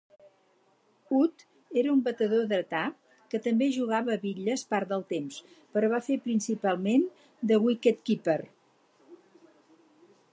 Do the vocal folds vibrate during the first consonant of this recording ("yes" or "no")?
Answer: no